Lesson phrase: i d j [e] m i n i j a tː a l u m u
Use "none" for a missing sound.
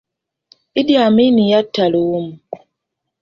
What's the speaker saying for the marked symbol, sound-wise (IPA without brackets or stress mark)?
a